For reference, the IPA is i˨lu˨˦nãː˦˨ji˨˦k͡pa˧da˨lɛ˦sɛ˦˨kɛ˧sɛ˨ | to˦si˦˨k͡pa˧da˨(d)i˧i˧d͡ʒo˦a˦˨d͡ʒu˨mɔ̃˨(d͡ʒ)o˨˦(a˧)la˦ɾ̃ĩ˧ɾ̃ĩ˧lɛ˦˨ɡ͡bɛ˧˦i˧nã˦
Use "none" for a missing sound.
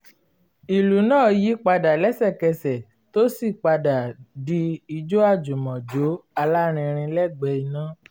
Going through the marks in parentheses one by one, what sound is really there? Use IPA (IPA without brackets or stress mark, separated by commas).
d, d͡ʒ, a˧